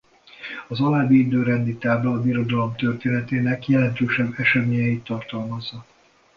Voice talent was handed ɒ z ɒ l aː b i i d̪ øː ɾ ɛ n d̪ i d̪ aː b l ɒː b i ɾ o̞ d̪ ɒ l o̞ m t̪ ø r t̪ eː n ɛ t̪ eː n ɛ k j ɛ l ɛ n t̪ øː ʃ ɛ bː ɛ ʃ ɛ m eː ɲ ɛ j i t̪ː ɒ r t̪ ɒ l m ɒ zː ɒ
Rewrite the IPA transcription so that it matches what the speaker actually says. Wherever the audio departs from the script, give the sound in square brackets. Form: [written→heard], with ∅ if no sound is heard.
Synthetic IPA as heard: ɒ z ɒ l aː b i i d̪ øː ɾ ɛ n d̪ i [d̪→t̪] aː b l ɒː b i ɾ o̞ d̪ ɒ l o̞ m t̪ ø r t̪ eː n ɛ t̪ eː n ɛ k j ɛ l ɛ n t̪ øː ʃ ɛ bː ɛ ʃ ɛ m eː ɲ ɛ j i t̪ː ɒ r t̪ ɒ l m ɒ zː ɒ